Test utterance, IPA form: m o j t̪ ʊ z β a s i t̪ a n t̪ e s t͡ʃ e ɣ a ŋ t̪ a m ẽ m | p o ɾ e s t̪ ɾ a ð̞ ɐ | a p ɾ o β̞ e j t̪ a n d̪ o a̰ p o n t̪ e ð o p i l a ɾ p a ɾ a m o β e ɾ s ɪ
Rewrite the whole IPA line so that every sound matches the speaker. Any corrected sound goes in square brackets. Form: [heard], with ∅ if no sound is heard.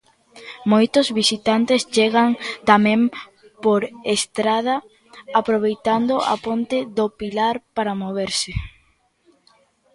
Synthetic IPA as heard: m o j t̪ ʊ z β [i] s i t̪ a n t̪ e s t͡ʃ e ɣ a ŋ t̪ a m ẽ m | p o ɾ e s t̪ ɾ a ð̞ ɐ | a p ɾ o β̞ e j t̪ a n d̪ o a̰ p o n t̪ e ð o p i l a ɾ p a ɾ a m o β e ɾ s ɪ